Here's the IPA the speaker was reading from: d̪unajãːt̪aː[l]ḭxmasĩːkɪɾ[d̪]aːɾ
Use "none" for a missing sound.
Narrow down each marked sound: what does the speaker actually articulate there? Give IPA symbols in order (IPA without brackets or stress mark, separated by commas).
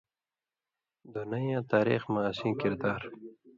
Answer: ɾ, d̪